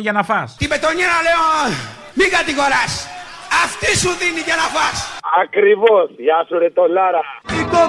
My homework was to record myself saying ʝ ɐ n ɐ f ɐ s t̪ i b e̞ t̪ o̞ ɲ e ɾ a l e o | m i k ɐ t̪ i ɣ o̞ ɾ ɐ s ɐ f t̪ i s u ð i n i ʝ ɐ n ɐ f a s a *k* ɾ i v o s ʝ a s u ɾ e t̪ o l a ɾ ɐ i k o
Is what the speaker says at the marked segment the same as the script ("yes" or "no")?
yes